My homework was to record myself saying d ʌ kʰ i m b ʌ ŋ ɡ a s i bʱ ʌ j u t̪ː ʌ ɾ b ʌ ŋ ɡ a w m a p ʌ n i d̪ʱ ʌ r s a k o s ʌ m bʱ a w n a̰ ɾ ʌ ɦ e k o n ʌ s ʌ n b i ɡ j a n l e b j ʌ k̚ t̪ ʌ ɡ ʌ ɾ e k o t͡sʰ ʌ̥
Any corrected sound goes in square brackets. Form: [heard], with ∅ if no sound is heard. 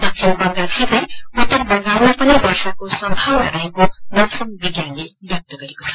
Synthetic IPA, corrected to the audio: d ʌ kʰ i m b ʌ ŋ ɡ a s i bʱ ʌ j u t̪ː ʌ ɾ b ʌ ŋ ɡ a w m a p ʌ n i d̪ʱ ʌ r s a k o s ʌ m bʱ a w n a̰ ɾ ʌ ɦ e k o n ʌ s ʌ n b i ɡ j a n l e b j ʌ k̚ t̪ ʌ ɡ ʌ ɾ e k o t͡sʰ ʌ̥